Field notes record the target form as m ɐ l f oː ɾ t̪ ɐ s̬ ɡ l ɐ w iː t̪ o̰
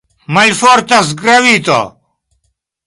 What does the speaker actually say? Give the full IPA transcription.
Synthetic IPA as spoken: m ɐ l f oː ɾ t̪ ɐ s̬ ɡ ɾ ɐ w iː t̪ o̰